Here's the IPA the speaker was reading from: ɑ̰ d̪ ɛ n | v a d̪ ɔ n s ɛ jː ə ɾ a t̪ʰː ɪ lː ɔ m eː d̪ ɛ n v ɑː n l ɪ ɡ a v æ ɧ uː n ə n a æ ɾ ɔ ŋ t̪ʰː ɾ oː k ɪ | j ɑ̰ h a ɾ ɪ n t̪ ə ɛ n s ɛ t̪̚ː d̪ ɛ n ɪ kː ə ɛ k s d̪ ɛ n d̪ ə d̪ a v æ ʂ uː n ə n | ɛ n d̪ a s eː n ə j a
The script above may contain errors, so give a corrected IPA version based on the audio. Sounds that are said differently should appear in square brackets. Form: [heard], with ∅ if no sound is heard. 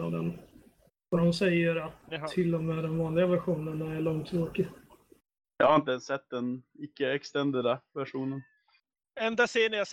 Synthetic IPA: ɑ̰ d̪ ɛ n | v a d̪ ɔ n s ɛ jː ə ɾ a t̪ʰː ɪ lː ɔ m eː d̪ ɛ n v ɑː n l ɪ ɡ a v æ ɧ uː n ə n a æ [ɭ] ɔ ŋ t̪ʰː ɾ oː k ɪ | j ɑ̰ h a ɾ ɪ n t̪ ə ɛ n s ɛ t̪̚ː d̪ ɛ n ɪ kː ə ɛ k s [t̪] ɛ n d̪ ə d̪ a v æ ʂ uː n ə n | ɛ n d̪ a s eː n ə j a